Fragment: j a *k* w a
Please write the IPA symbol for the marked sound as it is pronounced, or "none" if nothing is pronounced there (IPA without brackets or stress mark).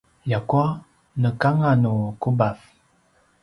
k